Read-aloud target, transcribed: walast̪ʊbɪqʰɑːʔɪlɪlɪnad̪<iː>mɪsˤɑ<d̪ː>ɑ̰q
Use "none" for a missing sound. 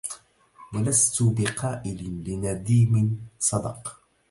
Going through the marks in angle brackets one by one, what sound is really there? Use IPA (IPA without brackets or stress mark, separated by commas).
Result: iː, d̪